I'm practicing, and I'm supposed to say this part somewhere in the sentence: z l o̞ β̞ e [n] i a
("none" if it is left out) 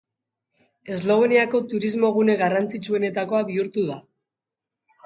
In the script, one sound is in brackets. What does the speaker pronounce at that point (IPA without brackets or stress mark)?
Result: n